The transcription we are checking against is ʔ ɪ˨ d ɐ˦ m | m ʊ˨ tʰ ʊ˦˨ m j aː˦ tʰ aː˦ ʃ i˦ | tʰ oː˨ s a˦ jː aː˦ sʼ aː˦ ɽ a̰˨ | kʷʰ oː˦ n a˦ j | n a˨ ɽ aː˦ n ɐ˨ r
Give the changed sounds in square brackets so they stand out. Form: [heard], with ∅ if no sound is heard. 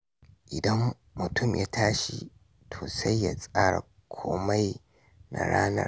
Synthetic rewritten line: ʔ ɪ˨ d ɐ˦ m | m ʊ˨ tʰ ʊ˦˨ m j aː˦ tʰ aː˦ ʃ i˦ | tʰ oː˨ s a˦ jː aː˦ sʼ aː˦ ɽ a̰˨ | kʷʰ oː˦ [m] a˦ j | n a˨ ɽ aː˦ n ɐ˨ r